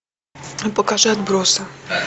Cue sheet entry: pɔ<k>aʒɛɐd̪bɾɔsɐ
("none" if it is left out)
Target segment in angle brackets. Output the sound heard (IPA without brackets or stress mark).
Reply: k